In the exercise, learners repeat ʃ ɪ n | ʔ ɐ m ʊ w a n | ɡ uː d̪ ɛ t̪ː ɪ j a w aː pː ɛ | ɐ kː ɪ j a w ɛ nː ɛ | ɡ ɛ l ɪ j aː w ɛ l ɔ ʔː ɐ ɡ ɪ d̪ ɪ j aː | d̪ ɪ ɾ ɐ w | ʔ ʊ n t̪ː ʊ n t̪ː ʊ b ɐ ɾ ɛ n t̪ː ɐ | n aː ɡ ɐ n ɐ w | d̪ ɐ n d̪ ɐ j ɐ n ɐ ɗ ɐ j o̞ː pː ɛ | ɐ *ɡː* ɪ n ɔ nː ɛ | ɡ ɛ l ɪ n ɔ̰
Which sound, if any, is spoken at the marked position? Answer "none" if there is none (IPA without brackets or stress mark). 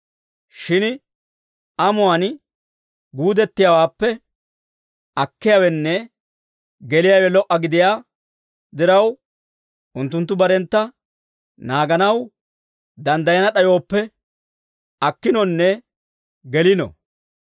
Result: kː